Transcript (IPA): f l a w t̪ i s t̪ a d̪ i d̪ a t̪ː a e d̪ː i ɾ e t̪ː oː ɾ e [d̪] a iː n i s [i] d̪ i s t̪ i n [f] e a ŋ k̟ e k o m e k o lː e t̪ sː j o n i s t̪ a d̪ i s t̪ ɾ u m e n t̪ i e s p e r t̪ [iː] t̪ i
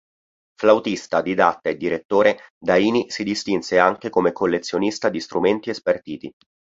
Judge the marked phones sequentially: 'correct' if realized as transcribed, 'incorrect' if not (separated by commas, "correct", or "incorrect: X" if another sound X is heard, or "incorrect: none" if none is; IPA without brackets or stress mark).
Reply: correct, correct, incorrect: s, correct